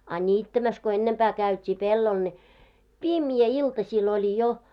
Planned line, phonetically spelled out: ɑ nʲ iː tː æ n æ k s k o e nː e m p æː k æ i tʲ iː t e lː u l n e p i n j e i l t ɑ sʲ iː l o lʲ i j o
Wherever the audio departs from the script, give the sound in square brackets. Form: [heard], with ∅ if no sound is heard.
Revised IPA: ɑ nʲ iː tː æ [m] æ [∅] s k o e nː e m p æː k æ [y] tʲ iː [p] e lː [o] l n e p i [m] j [æ] i l t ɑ sʲ iː l o lʲ i j o